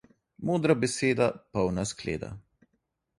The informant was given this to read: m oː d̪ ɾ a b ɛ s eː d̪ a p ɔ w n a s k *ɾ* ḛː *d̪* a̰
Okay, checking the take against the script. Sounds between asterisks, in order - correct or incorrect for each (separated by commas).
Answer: incorrect, correct